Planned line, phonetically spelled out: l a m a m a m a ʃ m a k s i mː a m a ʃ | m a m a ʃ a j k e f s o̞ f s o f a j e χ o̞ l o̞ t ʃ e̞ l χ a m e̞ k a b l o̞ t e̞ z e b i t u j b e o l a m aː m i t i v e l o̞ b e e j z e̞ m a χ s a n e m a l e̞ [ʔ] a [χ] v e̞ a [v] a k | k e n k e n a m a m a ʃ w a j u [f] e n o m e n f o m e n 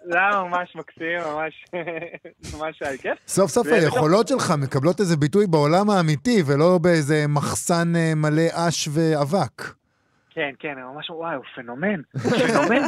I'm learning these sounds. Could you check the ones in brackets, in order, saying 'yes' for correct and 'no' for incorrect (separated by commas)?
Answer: yes, no, yes, yes